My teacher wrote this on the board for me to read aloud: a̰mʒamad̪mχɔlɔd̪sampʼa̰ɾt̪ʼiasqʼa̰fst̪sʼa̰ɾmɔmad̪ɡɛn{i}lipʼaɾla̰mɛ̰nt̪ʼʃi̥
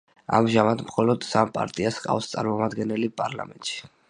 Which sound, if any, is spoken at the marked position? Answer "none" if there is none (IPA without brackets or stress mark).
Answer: ɛ